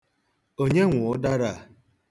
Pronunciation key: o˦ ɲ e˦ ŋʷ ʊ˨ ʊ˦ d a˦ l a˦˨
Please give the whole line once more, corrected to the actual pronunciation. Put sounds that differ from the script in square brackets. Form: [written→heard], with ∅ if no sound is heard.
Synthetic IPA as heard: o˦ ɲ e˦ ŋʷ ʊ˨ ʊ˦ d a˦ [l→ɾ] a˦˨